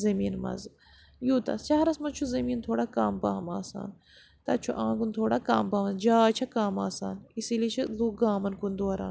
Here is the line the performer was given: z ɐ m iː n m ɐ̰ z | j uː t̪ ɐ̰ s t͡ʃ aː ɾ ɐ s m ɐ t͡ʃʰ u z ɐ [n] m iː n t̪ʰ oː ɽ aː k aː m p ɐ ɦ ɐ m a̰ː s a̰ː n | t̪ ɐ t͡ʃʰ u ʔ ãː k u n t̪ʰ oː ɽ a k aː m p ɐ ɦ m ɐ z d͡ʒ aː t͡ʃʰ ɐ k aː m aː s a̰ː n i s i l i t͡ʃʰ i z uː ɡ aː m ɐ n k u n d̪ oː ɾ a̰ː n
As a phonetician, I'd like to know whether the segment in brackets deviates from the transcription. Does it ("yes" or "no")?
yes